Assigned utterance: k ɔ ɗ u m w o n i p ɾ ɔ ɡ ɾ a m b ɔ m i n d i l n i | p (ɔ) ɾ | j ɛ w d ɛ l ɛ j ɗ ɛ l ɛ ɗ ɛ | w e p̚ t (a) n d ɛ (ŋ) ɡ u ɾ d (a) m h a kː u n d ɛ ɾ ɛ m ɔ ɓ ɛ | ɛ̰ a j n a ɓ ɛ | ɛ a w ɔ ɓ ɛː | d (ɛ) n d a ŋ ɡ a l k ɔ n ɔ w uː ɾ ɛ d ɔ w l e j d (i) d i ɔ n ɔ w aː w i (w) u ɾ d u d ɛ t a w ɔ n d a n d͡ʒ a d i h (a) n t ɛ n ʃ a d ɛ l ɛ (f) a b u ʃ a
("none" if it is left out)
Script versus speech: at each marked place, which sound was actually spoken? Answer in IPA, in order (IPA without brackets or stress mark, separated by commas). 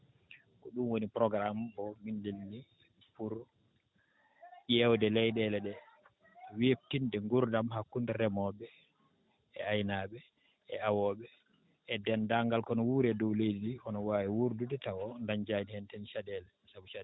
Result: u, i, ŋ, a, ɛ, i, w, ɛ, s